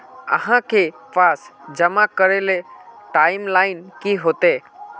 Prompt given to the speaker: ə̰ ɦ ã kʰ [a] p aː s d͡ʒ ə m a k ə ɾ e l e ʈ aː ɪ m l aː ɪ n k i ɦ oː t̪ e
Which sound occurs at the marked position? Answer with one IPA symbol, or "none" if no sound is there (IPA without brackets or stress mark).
e